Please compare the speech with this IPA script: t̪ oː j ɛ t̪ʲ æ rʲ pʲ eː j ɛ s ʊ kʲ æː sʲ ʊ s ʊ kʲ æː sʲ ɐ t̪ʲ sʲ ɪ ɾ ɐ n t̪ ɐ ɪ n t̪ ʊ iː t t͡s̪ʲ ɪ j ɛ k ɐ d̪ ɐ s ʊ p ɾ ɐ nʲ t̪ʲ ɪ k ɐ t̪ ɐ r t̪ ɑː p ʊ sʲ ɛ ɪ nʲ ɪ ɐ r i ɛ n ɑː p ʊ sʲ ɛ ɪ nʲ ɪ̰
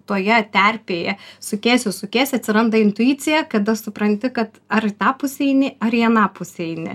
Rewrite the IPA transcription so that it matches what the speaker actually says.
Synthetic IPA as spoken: t̪ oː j ɛ t̪ʲ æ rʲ pʲ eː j ɛ s ʊ kʲ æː sʲ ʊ s ʊ kʲ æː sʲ ɐ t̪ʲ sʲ ɪ ɾ ɐ n d̪ ɐ ɪ n t̪ ʊ iː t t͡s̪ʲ ɪ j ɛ k ɐ d̪ ɐ s ʊ p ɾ ɐ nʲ t̪ʲ ɪ k ɐ t̪ ɐ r t̪ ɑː p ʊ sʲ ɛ ɪ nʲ ɪ ɐ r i ɛ n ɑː p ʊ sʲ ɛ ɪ nʲ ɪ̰